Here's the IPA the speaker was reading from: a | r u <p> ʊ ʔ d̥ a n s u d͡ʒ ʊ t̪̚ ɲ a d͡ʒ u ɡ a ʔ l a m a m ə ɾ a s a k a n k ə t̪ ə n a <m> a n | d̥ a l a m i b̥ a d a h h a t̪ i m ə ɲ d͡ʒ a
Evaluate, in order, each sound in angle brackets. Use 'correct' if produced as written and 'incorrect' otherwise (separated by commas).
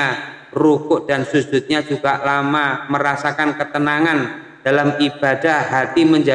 incorrect, incorrect